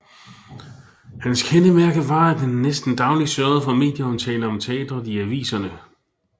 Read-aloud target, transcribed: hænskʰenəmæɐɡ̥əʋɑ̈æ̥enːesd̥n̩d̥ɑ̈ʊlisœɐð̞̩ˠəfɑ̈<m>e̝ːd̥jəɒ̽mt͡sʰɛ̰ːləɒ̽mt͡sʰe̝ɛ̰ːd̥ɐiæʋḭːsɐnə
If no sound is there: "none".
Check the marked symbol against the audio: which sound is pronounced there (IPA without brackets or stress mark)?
m